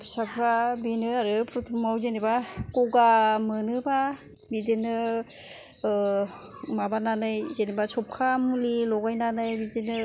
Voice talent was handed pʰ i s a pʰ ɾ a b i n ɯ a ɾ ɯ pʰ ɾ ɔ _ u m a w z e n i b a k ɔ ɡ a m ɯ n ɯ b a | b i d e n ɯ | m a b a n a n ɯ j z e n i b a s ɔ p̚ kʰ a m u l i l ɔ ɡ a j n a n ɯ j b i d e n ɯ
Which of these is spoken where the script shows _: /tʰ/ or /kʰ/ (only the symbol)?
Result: tʰ